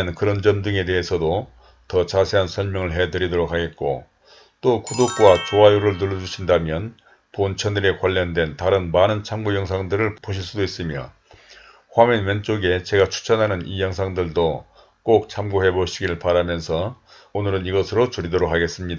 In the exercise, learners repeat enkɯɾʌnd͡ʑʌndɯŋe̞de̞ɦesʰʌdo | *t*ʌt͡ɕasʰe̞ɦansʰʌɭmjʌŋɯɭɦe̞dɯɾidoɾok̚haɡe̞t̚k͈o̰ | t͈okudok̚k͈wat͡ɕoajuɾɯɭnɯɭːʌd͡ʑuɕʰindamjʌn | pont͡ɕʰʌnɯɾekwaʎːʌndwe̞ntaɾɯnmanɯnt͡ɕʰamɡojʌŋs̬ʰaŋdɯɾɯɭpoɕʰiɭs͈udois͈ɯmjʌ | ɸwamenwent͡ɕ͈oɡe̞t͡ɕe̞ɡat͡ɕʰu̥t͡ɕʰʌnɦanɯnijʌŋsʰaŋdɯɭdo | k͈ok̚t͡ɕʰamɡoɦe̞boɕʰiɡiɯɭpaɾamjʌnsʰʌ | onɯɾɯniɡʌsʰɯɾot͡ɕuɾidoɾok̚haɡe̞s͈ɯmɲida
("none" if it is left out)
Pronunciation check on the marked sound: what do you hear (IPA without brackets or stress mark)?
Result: t